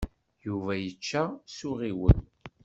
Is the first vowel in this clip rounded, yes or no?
yes